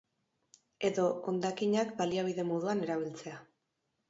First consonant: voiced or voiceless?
voiced